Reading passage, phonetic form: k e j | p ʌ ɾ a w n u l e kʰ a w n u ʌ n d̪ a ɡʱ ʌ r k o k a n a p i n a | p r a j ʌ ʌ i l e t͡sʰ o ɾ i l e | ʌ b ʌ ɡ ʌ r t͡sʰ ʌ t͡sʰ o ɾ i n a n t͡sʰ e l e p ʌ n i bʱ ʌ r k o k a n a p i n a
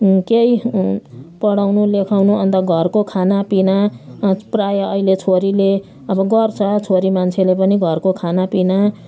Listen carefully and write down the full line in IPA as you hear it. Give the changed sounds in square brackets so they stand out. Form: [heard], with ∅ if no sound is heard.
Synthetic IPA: k e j | p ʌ [ɽ] a w n u l e kʰ a w n u ʌ n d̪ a ɡʱ ʌ r k o [kʰ] a n a p i n a | p r a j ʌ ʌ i l e t͡sʰ o ɾ i l e | ʌ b ʌ ɡ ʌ r t͡sʰ ʌ t͡sʰ o ɾ i [m] a n t͡sʰ e l e p ʌ n i [ɡʱ] ʌ r k o [kʰ] a n a p i n a